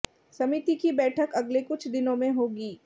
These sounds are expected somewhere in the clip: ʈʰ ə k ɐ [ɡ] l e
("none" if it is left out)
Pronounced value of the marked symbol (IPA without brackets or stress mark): ɡ